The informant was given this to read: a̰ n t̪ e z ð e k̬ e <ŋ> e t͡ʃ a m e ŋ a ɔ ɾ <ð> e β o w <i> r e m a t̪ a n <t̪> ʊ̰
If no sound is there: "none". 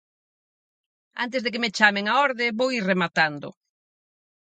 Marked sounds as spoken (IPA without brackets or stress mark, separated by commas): m, ð, i, d̪